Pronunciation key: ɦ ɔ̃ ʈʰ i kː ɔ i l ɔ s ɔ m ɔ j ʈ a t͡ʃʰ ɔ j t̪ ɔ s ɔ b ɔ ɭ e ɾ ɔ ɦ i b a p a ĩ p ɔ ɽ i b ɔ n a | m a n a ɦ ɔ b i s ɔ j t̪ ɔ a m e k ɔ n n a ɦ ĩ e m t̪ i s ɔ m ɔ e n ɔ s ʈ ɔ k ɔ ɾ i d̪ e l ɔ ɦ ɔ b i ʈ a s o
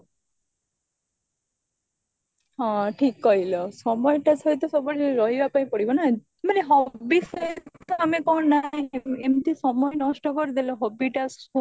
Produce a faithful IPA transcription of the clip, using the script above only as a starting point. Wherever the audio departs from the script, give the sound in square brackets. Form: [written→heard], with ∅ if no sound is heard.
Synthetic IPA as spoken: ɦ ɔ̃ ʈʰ i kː ɔ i l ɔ s ɔ m ɔ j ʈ a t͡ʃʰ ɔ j t̪ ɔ s ɔ b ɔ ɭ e ɾ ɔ ɦ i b a p a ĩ p ɔ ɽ i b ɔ n a | m a n [a→e] ɦ ɔ b i s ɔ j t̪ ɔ a m e k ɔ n n a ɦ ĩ e m t̪ i s ɔ m ɔ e n ɔ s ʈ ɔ k ɔ ɾ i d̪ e l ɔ ɦ ɔ b i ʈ a s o